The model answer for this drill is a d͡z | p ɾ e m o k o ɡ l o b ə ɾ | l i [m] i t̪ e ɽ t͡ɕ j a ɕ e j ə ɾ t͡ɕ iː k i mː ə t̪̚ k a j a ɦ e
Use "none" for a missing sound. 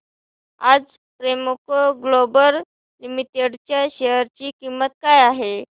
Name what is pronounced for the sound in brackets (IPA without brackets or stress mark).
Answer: m